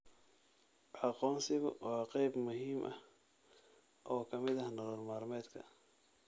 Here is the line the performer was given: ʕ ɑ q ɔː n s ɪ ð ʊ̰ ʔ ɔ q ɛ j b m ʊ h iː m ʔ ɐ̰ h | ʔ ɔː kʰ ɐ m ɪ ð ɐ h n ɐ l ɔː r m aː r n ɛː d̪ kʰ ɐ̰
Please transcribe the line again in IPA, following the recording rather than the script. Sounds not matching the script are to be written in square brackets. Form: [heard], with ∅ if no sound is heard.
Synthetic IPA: ʕ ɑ q ɔː n s ɪ [ɣ] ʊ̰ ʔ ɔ q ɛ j b m ʊ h iː m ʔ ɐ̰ h | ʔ ɔː kʰ ɐ m ɪ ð ɐ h n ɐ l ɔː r m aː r [m] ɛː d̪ kʰ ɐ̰